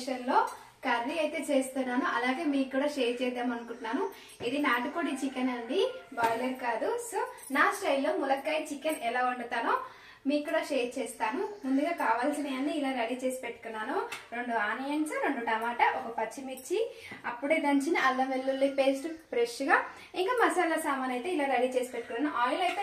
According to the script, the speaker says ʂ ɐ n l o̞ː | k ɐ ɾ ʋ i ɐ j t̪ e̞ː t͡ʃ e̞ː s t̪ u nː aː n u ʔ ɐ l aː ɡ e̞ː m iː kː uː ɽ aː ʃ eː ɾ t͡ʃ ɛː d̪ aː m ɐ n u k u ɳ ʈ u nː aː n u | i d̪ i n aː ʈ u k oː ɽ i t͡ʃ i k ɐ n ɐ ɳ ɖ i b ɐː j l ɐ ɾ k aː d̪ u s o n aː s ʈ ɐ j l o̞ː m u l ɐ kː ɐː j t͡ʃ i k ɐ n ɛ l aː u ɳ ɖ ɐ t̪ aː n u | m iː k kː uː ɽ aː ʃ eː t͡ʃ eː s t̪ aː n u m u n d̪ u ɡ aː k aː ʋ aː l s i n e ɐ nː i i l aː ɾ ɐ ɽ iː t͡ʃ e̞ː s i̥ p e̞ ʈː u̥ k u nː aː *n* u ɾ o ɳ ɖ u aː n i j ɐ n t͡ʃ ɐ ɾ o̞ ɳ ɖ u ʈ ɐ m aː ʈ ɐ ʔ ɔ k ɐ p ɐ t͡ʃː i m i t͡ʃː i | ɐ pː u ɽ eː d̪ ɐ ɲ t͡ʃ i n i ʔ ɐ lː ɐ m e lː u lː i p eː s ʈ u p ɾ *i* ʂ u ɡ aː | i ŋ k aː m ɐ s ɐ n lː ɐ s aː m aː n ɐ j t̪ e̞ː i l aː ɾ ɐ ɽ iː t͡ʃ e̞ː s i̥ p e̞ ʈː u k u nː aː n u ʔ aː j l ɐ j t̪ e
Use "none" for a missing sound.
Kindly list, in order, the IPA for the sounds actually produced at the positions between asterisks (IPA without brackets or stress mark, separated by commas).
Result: n, e